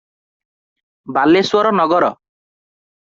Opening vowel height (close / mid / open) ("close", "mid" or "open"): open